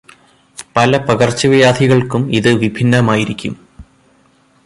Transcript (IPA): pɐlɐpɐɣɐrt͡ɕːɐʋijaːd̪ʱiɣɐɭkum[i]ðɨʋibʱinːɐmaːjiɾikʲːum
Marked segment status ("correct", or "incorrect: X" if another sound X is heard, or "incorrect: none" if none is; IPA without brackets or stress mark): correct